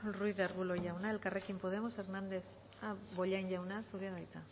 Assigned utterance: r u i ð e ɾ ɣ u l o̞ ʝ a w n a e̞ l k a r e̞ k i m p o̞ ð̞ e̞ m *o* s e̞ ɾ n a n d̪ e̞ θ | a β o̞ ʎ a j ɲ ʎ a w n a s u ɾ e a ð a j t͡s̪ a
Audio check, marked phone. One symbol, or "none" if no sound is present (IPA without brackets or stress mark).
o